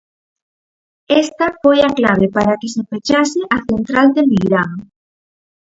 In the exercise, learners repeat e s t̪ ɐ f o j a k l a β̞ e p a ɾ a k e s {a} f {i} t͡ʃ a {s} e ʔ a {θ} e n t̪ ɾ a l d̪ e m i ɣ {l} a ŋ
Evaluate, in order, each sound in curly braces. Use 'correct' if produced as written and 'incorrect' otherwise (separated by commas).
incorrect, incorrect, correct, correct, incorrect